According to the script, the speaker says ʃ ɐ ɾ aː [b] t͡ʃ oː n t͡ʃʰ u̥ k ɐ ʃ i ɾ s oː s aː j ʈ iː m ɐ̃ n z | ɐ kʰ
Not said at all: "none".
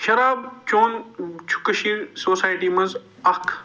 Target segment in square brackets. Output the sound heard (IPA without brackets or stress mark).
b